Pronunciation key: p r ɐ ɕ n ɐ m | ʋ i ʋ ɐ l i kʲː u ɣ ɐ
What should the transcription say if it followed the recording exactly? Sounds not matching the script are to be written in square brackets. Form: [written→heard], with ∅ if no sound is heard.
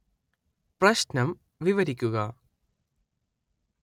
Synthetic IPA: p r ɐ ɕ n ɐ m | ʋ i ʋ ɐ [l→ɾ] i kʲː u ɣ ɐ